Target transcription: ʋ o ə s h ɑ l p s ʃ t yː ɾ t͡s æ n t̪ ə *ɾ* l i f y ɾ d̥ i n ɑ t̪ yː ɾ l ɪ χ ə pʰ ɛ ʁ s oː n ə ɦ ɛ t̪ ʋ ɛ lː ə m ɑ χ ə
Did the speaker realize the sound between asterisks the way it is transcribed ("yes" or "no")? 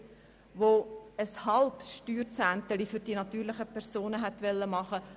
no